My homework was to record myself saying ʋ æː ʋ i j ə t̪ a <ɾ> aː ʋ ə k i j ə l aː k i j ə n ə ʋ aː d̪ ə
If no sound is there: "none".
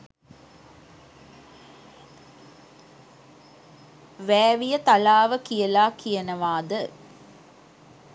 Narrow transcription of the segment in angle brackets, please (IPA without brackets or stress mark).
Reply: l